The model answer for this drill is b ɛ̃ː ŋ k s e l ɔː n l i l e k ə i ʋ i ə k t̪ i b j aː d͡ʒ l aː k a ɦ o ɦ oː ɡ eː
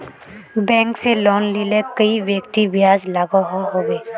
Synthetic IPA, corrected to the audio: b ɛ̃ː ŋ k s e l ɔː n l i l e k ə i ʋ j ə k t̪ i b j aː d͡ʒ l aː ɡ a ɦ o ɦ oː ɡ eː